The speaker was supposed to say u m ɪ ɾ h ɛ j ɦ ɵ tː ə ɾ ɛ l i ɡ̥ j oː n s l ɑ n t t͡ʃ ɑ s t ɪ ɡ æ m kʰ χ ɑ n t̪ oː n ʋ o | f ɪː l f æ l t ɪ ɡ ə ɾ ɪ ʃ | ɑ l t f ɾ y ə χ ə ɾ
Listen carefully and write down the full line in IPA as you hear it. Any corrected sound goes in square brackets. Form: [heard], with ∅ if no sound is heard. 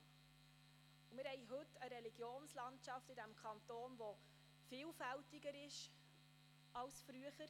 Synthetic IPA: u m ɪ ɾ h ɛ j ɦ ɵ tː ə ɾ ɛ l i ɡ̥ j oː n s l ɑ n t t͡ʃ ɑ [f] t ɪ [d] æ m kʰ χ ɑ n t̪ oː n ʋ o | f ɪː l f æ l t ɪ ɡ ə ɾ ɪ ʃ | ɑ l [s] f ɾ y ə χ ə ɾ